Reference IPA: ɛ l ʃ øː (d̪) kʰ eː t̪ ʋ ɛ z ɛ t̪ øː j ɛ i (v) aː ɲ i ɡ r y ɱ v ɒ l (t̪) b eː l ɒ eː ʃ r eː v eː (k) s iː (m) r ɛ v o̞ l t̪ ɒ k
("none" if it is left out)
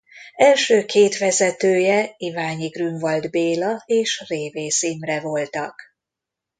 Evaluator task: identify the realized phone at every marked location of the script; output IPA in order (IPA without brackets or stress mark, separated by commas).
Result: none, v, d̪, none, m